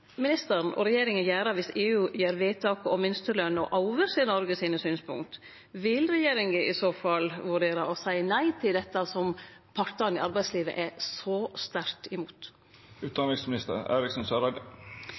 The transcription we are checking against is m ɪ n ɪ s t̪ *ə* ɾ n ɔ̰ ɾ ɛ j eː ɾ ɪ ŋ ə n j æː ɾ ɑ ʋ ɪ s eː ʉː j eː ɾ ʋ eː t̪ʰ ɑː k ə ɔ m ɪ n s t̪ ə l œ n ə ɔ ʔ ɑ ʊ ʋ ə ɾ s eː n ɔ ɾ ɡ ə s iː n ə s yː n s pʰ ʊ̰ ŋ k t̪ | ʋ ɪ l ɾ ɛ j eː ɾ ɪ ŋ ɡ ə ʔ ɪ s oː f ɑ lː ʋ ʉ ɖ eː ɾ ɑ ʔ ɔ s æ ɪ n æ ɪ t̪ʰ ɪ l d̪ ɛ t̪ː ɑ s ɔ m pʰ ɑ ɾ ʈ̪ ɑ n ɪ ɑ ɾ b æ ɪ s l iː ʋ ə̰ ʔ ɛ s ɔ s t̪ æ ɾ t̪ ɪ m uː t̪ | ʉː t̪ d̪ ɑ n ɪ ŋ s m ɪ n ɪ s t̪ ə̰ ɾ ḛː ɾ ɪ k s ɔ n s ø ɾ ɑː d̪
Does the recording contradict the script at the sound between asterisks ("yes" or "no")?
no